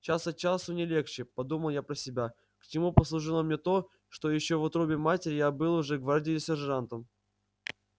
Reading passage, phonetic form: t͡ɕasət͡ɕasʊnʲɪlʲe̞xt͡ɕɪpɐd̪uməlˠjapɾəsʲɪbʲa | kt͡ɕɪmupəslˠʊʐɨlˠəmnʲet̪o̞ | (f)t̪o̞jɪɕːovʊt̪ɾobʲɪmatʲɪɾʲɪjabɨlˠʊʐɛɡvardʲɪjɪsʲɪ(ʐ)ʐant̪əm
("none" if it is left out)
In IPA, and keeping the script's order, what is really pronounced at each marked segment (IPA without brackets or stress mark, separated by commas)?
ʂ, ʐ